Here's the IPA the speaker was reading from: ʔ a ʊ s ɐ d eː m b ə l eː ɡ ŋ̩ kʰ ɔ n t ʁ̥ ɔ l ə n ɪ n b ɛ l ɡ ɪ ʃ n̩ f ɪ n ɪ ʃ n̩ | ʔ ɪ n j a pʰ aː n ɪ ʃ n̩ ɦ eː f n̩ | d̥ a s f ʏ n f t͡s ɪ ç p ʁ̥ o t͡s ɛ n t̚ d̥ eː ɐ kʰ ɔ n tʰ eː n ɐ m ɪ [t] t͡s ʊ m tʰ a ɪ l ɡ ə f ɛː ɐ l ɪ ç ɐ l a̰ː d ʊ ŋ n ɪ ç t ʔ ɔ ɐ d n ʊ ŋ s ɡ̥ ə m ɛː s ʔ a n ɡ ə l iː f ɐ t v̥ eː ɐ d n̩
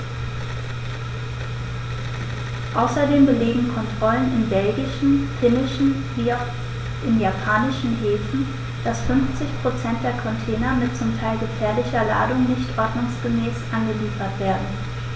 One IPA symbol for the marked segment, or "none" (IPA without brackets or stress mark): t